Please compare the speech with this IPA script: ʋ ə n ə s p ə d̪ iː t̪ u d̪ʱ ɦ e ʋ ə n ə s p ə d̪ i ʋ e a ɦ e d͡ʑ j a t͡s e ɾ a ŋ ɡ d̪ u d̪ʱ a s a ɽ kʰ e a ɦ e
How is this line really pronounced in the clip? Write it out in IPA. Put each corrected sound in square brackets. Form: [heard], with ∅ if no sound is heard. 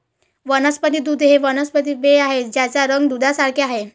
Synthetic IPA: ʋ ə n ə s p ə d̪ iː [d̪] u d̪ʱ ɦ e ʋ ə n ə s p ə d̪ i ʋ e a ɦ e d͡ʑ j a t͡s [a] ɾ [ə] ŋ ɡ d̪ u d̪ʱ a s a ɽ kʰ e a ɦ e